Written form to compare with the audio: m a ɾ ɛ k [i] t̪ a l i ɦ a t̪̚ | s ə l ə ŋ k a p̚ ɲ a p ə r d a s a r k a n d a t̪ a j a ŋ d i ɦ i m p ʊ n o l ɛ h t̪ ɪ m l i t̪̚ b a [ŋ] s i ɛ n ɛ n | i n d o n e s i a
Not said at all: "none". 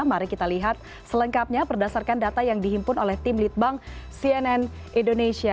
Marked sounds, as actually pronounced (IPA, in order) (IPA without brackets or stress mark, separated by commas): i, ŋ